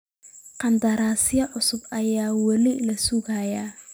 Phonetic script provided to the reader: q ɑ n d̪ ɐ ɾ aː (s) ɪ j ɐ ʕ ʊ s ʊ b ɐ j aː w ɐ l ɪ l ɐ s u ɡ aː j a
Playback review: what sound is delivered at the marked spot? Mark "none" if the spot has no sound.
s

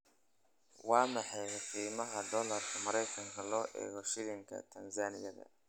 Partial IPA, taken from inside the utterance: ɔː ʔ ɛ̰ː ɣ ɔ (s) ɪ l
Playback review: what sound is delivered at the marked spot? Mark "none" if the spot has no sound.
ʃ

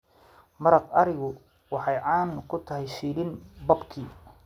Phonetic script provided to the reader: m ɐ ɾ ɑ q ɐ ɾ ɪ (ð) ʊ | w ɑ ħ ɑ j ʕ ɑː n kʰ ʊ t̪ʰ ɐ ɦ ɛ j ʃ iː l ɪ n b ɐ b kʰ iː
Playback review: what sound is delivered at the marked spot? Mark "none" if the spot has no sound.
ɣ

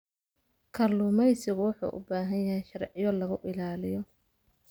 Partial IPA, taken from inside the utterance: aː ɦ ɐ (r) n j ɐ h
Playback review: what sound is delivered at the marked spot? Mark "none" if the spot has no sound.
none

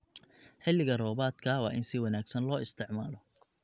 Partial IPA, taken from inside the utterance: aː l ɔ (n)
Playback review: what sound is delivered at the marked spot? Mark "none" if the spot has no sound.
none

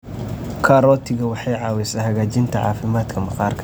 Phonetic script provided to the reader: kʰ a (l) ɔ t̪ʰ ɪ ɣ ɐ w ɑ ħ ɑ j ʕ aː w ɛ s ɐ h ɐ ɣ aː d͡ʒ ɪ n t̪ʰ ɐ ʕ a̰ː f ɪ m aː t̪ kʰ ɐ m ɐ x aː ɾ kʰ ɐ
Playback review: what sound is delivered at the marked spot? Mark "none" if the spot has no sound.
ɾ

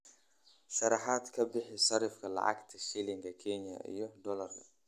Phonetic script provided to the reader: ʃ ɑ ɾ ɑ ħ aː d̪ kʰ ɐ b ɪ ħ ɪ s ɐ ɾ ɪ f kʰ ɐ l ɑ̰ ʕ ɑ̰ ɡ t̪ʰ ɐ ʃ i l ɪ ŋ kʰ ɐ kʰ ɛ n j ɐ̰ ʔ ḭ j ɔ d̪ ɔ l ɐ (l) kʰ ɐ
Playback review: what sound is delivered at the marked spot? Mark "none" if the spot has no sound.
r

